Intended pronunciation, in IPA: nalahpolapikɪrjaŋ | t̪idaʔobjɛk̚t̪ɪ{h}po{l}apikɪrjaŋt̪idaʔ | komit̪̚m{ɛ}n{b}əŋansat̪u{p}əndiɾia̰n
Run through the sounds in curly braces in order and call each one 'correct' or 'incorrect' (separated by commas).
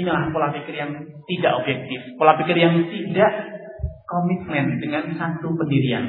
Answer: incorrect, correct, correct, incorrect, correct